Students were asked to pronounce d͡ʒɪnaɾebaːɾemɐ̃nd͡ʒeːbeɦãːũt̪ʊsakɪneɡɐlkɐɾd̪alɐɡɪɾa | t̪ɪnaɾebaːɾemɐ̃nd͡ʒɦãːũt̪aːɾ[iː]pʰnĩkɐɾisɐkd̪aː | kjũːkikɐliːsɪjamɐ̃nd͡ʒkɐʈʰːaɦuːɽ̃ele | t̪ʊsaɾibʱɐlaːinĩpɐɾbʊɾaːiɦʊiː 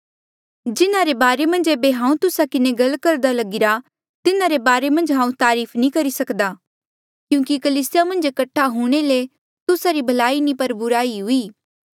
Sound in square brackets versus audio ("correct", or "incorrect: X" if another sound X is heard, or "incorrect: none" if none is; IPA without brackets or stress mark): correct